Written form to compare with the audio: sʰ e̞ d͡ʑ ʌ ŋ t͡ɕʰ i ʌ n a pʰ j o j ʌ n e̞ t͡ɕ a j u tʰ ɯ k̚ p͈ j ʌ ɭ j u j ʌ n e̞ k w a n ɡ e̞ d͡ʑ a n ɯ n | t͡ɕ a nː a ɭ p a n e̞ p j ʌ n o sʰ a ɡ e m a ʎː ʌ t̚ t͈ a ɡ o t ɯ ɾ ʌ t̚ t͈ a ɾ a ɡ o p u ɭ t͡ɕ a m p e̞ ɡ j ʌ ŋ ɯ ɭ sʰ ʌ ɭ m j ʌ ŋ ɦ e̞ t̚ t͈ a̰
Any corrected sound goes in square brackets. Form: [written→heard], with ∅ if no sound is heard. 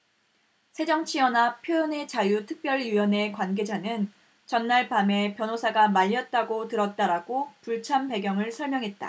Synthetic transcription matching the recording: sʰ e̞ d͡ʑ ʌ ŋ t͡ɕʰ i ʌ n a pʰ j o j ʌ n e̞ t͡ɕ a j u tʰ ɯ k̚ p͈ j ʌ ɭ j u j ʌ n e̞ k w a n ɡ e̞ d͡ʑ a n ɯ n | t͡ɕ [a→ʌ] nː a ɭ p a [n→m] e̞ p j ʌ n o sʰ a ɡ [e→a] m a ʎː ʌ t̚ t͈ a ɡ o t ɯ ɾ ʌ t̚ t͈ a ɾ a ɡ o p u ɭ [t͡ɕ→t͡ɕʰ] a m p e̞ ɡ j ʌ ŋ ɯ ɭ sʰ ʌ ɭ m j ʌ ŋ ɦ e̞ t̚ t͈ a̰